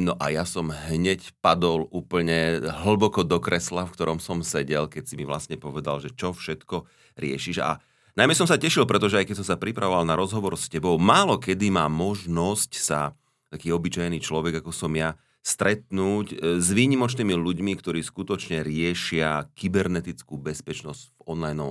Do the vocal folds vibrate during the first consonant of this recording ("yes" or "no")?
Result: yes